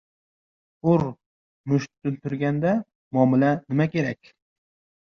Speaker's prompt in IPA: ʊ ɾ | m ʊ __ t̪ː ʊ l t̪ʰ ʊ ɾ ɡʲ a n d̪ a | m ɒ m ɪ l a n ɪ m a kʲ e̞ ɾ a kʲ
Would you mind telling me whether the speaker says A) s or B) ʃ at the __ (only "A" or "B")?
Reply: B